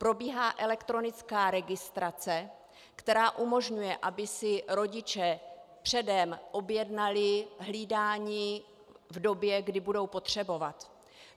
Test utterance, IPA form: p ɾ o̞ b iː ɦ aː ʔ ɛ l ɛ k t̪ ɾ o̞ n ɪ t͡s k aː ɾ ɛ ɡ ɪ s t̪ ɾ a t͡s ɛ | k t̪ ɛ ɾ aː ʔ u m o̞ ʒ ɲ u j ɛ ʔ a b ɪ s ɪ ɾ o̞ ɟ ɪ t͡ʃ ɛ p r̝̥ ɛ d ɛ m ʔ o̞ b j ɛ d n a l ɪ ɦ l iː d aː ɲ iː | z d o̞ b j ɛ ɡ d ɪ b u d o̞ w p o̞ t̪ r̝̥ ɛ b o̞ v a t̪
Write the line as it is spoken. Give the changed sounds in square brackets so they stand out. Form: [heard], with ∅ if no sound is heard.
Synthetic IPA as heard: p ɾ o̞ b iː ɦ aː ʔ ɛ l ɛ k t̪ ɾ o̞ n ɪ t͡s k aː ɾ ɛ ɡ ɪ s t̪ ɾ a t͡s ɛ | k t̪ ɛ ɾ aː ʔ u m o̞ ʒ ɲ u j ɛ ʔ a b ɪ s ɪ ɾ o̞ ɟ ɪ t͡ʃ ɛ p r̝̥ ɛ d ɛ m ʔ o̞ b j ɛ d n a l ɪ ɦ l iː d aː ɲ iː | [v] d o̞ b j ɛ ɡ d ɪ b u d o̞ w p o̞ t̪ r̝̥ ɛ b o̞ v a t̪